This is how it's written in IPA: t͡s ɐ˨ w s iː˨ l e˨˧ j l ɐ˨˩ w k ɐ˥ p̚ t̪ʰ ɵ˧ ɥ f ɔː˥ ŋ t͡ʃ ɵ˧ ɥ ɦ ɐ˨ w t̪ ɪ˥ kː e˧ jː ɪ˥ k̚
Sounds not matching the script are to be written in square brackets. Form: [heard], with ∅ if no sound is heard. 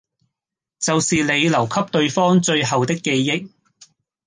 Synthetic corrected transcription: t͡s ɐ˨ w s iː˨ l e˨˧ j l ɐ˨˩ w [kʰ] ɐ˥ p̚ [t̪] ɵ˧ ɥ f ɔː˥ ŋ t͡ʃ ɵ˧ ɥ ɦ ɐ˨ w t̪ ɪ˥ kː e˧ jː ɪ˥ k̚